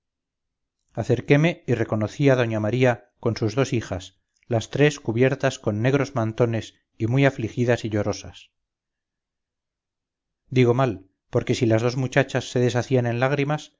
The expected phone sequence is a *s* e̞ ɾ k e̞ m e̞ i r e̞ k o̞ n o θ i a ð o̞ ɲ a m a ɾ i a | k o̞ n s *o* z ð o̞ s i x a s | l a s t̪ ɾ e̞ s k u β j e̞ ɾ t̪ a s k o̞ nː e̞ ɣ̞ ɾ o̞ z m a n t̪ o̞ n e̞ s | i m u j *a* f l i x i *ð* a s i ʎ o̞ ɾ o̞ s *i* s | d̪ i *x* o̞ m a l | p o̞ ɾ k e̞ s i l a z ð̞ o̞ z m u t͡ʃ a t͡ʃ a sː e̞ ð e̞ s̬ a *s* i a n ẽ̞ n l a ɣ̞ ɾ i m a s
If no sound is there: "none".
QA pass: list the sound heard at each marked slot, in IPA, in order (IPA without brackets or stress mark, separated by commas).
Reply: θ, u, a, ð, a, ɣ, θ